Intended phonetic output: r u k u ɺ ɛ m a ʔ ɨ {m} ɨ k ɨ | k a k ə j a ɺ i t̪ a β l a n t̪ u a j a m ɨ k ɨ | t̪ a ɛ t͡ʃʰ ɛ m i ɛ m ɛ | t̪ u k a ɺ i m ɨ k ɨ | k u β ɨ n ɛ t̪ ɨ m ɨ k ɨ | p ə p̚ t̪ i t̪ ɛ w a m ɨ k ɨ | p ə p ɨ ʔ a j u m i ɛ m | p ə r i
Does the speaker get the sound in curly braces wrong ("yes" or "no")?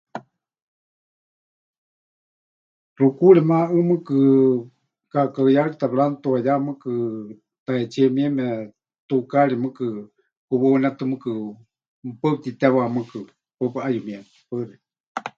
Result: no